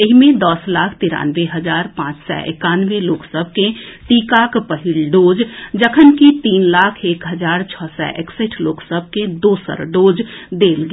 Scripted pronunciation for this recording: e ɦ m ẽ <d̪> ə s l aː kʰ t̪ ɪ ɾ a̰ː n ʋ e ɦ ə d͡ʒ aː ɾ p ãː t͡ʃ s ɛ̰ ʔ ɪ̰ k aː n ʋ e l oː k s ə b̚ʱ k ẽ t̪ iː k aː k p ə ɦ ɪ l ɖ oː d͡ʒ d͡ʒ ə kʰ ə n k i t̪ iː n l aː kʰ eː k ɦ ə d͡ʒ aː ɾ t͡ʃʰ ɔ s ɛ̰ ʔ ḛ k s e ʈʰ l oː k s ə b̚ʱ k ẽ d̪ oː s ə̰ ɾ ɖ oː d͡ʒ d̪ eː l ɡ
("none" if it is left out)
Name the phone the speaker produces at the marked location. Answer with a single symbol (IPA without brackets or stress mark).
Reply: d̪